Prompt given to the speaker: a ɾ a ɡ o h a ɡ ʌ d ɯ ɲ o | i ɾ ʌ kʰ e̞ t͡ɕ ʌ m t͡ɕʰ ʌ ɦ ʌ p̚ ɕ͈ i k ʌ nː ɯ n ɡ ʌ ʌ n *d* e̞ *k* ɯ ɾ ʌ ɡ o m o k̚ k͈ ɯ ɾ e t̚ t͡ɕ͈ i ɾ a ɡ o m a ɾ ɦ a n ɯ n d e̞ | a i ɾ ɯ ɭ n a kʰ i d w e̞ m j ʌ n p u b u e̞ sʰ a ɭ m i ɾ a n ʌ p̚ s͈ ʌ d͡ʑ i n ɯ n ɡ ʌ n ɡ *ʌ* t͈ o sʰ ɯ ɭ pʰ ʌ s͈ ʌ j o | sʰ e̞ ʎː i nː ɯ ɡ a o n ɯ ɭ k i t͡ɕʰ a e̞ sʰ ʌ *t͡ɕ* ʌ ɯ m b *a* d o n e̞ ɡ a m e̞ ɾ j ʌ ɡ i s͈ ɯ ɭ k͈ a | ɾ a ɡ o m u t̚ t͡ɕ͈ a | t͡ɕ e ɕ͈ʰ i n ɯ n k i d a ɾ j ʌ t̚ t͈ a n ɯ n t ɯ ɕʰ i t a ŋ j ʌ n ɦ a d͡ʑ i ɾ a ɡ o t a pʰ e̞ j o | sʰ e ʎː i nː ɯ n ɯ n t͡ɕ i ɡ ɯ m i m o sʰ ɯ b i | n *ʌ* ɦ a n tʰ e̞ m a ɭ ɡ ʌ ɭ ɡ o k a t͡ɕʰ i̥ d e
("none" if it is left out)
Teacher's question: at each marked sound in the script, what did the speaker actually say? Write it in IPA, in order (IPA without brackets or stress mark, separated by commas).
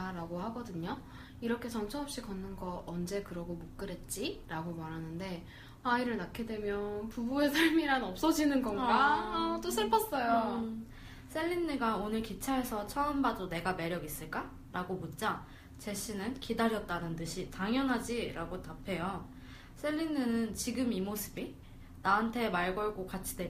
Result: d͡ʑ, k, a, t͡ɕʰ, a, a